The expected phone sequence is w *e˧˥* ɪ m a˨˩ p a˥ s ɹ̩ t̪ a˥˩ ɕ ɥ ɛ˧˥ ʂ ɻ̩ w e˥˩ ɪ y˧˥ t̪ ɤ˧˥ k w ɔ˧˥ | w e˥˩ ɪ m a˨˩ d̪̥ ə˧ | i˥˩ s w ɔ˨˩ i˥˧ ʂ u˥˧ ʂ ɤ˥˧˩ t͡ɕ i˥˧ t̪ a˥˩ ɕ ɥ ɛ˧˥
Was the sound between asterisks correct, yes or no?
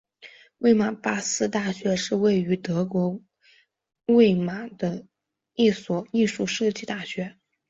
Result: no